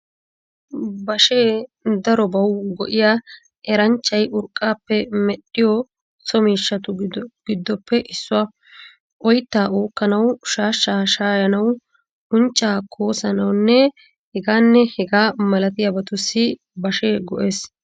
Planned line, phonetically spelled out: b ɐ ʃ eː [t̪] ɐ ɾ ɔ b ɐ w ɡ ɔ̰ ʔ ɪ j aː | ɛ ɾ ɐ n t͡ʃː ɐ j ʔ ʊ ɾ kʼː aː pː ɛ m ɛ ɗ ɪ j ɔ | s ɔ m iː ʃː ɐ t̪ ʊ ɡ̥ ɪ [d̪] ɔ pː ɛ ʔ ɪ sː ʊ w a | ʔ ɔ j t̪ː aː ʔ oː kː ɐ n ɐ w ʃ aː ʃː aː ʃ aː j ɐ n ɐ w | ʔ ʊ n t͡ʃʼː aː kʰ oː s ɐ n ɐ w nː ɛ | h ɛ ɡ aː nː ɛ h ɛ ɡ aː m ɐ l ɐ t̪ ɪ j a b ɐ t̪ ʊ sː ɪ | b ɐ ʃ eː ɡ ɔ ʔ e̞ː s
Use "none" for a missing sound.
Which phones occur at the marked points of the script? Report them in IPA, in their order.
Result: d̪, d̪ː

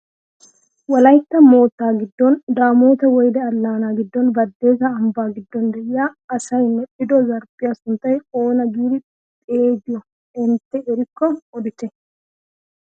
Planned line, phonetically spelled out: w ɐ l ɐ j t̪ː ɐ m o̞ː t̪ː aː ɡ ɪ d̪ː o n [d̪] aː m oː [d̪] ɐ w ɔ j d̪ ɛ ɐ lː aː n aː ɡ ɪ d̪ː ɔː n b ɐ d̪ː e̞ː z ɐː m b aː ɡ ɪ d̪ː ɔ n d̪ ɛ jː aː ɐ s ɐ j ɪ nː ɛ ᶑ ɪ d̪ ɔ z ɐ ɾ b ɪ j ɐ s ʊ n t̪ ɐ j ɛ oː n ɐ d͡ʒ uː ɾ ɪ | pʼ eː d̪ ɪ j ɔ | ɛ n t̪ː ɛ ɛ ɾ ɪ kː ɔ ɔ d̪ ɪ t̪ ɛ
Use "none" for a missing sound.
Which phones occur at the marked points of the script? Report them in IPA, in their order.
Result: d̪, t̪

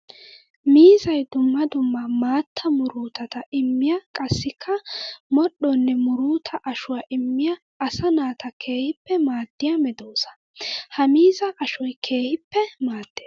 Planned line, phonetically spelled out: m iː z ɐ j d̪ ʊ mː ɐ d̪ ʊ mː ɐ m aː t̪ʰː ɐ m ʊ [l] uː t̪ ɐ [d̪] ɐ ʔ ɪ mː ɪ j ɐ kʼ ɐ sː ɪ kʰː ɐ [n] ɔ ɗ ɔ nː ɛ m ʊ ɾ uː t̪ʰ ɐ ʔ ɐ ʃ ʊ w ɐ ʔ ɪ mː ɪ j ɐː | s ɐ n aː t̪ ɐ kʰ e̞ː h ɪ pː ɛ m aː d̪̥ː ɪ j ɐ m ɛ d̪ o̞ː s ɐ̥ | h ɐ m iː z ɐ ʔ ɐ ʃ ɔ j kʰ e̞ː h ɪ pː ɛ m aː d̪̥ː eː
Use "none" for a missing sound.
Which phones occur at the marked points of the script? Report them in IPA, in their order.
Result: ɾ, t̪, m

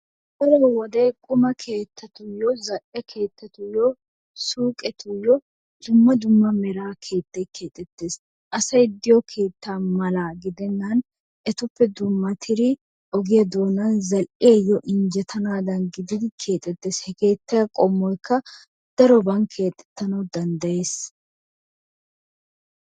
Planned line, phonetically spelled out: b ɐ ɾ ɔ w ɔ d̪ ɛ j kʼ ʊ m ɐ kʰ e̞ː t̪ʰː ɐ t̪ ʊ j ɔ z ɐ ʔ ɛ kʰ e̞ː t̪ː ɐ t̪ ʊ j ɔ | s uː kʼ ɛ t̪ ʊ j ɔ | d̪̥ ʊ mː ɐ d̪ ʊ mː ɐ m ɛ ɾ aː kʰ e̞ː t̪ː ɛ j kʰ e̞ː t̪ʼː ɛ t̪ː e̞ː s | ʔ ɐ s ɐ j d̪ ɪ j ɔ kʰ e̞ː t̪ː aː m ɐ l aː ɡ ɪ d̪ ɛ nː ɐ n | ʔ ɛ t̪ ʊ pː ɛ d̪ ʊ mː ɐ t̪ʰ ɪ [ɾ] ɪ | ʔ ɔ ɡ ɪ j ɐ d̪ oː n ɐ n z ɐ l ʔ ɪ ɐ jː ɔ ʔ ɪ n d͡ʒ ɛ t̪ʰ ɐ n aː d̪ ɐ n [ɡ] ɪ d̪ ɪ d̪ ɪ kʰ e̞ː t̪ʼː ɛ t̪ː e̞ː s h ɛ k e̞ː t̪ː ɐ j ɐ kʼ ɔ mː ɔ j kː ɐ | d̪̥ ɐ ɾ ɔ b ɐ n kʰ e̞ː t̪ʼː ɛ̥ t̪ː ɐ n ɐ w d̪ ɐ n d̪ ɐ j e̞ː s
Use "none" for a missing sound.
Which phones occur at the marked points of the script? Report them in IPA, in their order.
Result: ɾ, ɡ

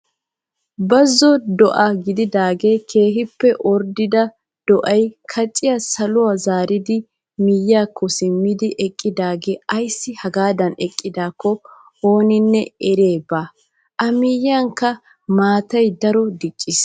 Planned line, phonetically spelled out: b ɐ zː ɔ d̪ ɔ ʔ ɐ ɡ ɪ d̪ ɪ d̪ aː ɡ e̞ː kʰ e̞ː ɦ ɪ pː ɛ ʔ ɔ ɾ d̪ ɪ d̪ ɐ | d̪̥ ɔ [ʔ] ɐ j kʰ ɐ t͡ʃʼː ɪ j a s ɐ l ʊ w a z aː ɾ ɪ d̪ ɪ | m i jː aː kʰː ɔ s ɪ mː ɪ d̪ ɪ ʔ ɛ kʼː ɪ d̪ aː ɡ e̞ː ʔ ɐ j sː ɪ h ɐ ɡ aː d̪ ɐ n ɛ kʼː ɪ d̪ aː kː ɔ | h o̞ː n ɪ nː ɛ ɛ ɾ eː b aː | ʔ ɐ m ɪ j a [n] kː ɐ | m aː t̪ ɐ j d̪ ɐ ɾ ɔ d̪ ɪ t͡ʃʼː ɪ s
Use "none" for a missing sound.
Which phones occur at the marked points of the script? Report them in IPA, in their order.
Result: ʔ, ŋ

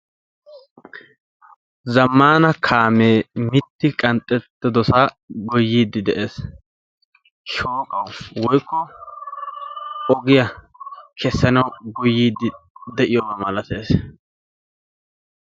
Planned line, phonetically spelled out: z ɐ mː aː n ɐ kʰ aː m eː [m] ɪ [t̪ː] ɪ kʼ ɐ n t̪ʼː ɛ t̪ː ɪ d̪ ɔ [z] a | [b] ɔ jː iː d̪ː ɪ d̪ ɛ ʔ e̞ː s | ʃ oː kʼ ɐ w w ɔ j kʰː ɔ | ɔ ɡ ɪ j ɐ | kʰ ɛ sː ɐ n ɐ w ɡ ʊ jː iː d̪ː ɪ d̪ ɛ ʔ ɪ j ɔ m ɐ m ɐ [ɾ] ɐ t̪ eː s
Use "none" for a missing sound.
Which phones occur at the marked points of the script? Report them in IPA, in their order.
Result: m, t̪ː, s, ɡ, l

